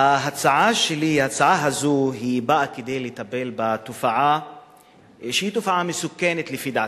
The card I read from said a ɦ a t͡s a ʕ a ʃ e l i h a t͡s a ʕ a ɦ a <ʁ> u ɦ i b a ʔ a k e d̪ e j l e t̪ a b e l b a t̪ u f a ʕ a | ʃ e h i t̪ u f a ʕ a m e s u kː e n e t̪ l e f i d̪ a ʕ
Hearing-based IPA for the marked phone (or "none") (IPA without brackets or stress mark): z